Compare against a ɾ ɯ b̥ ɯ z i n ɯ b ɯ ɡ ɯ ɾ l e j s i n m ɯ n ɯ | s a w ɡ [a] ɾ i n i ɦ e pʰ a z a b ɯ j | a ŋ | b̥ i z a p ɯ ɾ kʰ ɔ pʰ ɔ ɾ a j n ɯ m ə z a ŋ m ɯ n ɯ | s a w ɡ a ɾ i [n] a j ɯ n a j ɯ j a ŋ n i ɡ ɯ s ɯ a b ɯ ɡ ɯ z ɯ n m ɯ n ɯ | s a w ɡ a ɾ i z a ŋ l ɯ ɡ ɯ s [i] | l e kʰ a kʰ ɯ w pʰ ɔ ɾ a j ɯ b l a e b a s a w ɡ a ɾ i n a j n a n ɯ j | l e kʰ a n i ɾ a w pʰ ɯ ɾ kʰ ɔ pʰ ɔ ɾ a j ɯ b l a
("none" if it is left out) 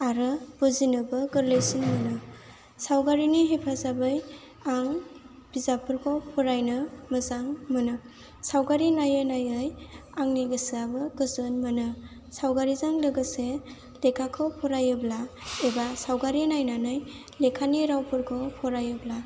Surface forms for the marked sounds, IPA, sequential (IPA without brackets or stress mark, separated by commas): a, n, e